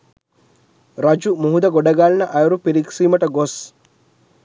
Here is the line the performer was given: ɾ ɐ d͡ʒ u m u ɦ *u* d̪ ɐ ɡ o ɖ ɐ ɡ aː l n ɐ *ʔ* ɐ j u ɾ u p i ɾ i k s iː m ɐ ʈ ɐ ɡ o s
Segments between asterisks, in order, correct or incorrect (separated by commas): correct, correct